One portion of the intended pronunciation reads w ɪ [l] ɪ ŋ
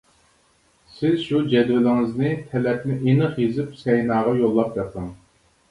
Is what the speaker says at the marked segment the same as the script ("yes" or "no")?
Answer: yes